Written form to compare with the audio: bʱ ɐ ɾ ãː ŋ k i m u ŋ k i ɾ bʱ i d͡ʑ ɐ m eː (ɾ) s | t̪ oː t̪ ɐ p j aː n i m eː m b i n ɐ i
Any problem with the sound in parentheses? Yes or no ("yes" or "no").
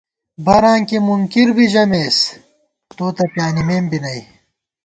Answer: yes